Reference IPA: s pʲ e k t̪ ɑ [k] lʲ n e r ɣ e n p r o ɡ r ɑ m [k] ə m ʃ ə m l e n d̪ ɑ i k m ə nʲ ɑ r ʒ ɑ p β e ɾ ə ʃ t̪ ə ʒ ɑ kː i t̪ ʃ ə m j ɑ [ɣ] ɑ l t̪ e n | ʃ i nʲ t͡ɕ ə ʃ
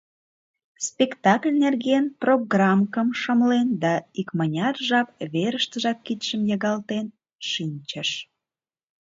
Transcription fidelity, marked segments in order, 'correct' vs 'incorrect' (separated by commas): correct, correct, correct